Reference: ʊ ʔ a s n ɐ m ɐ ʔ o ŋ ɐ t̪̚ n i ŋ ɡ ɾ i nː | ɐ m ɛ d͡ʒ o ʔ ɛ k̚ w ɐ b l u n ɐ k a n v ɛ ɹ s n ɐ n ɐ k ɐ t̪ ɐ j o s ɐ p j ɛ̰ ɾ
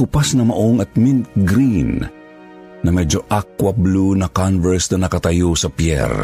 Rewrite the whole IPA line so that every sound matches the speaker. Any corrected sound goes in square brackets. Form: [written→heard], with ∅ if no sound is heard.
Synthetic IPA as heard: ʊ [ʔ→p] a s n ɐ m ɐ ʔ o ŋ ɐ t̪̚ [n→m] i [ŋ→n] ɡ ɾ i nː | ɐ m ɛ d͡ʒ o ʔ [ɛ→a] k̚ w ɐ b l u n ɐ k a n v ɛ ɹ s n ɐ n ɐ k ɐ t̪ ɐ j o s ɐ p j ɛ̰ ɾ